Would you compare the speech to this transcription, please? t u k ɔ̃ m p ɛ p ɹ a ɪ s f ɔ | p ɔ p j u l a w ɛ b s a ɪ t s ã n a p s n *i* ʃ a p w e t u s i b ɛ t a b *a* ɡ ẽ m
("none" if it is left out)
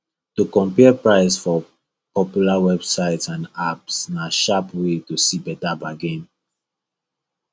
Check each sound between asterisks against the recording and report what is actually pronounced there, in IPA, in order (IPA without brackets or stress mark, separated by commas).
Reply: a, a